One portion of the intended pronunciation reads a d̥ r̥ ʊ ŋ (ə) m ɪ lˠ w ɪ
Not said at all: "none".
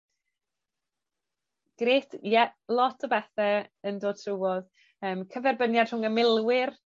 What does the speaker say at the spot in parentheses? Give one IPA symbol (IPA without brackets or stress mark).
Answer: ə